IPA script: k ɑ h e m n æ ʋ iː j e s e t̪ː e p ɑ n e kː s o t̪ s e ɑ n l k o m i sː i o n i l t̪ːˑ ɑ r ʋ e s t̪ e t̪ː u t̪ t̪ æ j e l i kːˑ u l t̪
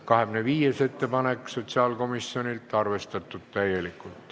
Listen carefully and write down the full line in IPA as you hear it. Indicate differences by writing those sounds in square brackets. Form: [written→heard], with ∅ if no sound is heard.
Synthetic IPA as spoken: k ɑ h e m n [æ→e] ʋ iː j e s e t̪ː e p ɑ n e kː s o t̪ s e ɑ [n→∅] l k o m i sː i o n i l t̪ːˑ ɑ r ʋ e s t̪ e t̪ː u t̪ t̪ æ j e l i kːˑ u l t̪